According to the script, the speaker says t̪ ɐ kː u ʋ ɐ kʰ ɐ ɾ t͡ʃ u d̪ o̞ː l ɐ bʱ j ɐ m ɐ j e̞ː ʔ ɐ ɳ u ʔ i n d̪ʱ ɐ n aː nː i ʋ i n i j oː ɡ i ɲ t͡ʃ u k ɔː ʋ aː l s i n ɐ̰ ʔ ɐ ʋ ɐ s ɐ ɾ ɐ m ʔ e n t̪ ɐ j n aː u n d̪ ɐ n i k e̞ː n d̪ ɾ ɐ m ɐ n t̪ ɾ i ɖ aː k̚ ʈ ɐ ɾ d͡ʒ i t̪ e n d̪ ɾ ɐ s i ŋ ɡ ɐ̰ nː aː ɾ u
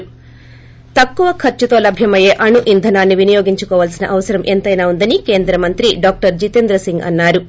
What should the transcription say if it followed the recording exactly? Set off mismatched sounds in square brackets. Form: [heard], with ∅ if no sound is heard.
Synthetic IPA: t̪ ɐ kː u ʋ ɐ kʰ ɐ ɾ t͡ʃ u [t̪] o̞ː l ɐ bʱ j ɐ m ɐ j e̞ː ʔ ɐ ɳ u ʔ i n d̪ʱ ɐ n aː nː i ʋ i n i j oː ɡ i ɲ t͡ʃ u k ɔː ʋ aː l s i n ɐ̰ ʔ ɐ ʋ ɐ s ɐ ɾ ɐ m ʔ e n t̪ ɐ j n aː u n d̪ ɐ n i k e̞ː n d̪ ɾ ɐ m ɐ n t̪ ɾ i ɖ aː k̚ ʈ ɐ ɾ d͡ʒ i t̪ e n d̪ ɾ ɐ s i ŋ ɡ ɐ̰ nː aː ɾ u